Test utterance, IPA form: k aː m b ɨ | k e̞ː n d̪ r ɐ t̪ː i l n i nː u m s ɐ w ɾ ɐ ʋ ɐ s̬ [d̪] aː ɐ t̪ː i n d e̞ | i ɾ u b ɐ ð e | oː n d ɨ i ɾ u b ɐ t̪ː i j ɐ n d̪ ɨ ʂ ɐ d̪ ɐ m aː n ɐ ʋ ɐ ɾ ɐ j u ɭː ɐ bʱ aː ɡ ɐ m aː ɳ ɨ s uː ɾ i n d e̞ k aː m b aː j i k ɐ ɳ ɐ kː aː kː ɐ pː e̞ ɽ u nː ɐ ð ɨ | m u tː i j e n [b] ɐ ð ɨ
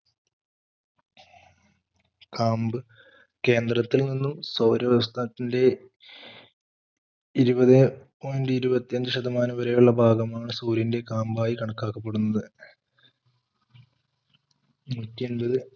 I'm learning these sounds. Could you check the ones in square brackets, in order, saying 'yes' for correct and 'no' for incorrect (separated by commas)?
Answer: no, yes